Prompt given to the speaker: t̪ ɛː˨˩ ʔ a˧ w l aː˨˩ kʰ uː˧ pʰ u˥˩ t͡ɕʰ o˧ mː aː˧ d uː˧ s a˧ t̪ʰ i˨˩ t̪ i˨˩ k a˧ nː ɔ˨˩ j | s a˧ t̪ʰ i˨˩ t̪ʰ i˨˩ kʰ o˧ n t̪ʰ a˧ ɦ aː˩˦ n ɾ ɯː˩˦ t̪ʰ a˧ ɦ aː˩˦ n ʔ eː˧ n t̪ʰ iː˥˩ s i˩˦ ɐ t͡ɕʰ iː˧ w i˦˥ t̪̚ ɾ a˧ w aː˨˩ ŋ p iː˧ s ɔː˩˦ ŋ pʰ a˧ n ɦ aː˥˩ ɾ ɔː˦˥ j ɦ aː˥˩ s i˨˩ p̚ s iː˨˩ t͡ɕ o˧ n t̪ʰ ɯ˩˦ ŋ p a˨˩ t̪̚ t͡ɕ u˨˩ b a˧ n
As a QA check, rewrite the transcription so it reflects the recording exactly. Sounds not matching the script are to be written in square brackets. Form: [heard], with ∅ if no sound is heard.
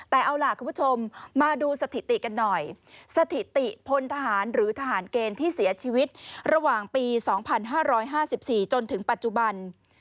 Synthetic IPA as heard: t̪ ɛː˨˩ ʔ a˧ w l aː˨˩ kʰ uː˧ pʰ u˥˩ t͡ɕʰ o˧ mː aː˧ d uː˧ s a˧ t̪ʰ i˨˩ t̪ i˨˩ k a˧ nː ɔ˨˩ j | s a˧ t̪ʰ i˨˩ [t̪] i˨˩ [pʰ] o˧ n t̪ʰ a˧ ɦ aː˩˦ n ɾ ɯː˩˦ t̪ʰ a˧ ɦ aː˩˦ n [k] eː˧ n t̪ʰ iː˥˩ s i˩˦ ɐ t͡ɕʰ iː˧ w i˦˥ t̪̚ ɾ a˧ w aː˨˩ ŋ p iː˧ s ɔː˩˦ ŋ pʰ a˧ n ɦ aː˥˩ ɾ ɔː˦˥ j ɦ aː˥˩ s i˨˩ p̚ s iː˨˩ t͡ɕ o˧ n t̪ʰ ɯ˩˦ ŋ p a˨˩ t̪̚ t͡ɕ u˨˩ b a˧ n